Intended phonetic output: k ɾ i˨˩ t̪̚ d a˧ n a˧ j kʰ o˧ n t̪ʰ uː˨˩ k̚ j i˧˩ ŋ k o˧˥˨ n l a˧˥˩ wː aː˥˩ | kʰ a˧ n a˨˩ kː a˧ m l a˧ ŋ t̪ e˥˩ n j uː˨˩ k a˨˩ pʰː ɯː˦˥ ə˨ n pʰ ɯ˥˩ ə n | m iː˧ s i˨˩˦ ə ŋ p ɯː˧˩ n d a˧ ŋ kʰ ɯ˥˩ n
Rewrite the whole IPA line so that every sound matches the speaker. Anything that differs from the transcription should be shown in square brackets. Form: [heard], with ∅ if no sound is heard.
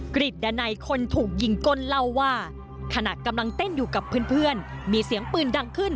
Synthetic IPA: k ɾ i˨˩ t̪̚ d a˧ n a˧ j kʰ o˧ n t̪ʰ uː˨˩ k̚ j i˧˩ ŋ k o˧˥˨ n l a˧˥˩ wː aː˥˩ | kʰ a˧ n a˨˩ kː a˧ m l a˧ ŋ t̪ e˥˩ n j uː˨˩ k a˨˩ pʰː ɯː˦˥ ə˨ n pʰ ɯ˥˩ ə n | m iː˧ s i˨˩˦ ə ŋ p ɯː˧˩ n d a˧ ŋ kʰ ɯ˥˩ n